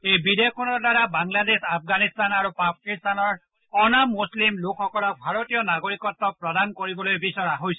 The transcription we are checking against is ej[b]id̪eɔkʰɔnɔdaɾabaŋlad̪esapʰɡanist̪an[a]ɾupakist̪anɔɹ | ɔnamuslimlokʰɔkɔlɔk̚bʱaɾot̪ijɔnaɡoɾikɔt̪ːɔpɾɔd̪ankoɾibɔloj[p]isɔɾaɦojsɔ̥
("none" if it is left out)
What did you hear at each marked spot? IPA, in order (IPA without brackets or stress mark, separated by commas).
b, a, b